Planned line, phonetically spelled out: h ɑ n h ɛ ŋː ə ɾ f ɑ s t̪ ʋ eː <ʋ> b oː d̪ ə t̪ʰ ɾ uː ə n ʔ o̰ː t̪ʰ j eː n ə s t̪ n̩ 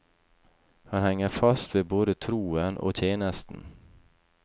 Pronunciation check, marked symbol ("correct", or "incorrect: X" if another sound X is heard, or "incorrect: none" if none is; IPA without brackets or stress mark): incorrect: none